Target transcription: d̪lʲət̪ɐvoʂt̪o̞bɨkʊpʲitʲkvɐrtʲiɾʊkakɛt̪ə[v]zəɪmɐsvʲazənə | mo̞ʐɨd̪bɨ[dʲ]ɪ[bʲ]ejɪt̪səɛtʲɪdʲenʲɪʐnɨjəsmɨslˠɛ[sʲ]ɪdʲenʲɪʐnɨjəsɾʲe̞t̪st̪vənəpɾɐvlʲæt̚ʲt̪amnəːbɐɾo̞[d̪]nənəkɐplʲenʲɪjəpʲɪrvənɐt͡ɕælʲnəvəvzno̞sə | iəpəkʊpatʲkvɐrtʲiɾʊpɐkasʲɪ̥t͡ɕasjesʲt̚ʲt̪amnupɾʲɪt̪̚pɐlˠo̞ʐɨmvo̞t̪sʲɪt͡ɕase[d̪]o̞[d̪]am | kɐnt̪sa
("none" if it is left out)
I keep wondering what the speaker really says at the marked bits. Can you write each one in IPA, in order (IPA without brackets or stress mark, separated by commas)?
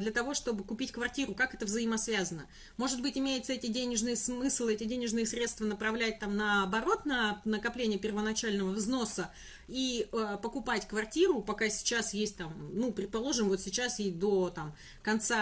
v, tʲ, mʲ, tʲ, t̪, d̪, t̪